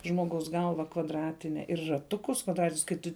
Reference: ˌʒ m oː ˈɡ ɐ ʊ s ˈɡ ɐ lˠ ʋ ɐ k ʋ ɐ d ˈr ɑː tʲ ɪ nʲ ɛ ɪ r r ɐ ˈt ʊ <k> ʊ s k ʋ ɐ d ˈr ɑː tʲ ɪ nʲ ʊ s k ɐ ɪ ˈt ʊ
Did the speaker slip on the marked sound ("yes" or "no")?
no